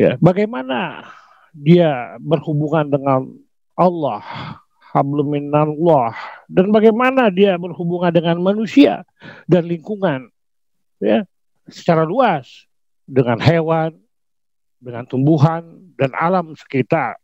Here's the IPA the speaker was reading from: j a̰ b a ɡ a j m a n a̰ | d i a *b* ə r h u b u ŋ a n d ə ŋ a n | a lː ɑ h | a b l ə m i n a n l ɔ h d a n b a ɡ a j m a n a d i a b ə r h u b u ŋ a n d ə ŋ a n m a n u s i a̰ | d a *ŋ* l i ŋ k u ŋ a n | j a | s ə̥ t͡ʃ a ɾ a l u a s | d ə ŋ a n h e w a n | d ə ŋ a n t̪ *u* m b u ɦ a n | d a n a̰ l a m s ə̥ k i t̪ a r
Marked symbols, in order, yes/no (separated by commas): yes, no, yes